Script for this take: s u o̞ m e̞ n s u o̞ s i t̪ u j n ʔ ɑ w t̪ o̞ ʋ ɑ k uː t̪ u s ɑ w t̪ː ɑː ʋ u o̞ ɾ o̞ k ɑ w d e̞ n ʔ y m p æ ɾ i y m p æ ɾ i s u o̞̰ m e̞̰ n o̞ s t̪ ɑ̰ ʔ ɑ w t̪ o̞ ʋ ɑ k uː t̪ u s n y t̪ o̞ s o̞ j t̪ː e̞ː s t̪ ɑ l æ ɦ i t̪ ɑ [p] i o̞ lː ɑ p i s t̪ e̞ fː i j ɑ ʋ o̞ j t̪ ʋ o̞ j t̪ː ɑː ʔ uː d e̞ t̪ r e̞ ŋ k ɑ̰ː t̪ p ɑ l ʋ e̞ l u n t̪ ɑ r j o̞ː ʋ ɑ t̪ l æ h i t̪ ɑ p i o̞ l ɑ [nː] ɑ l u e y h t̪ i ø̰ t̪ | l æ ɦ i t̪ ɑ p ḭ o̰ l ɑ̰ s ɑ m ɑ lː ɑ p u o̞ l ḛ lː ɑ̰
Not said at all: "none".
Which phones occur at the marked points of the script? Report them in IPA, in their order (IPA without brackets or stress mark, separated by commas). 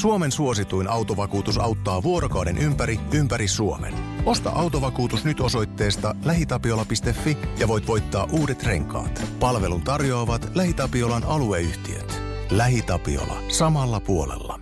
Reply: p, n